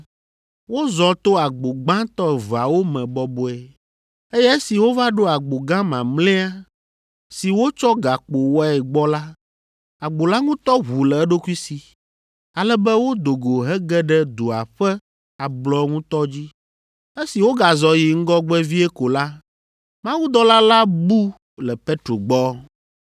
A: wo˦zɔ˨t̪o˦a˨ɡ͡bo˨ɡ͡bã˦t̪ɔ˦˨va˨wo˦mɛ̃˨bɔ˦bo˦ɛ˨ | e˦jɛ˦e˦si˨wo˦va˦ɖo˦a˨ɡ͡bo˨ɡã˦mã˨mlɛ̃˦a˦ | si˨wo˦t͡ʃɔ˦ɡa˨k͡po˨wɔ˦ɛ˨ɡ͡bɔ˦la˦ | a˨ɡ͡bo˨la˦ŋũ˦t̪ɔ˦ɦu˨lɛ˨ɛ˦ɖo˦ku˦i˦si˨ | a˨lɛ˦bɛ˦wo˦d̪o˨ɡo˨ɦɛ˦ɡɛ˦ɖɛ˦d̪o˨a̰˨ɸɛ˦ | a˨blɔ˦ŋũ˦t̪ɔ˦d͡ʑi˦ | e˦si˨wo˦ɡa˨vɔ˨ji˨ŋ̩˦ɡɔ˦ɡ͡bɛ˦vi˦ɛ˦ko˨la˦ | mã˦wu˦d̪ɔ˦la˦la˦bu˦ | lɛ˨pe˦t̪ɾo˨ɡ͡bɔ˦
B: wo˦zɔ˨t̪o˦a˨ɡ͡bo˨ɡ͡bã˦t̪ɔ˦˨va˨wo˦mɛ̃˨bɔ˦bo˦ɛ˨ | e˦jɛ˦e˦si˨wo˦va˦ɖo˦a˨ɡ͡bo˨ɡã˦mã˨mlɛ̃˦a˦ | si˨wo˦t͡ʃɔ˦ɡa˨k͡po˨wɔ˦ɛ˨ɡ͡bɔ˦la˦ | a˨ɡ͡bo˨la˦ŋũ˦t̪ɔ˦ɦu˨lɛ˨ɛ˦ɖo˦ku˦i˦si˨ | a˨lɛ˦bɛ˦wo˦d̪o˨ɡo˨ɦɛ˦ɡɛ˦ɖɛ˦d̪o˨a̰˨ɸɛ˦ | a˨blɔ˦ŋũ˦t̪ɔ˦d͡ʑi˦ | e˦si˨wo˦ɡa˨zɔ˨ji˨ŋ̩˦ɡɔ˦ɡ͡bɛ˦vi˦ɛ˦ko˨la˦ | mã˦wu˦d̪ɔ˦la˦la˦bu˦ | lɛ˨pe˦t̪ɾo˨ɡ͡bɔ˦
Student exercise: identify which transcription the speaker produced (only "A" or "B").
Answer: B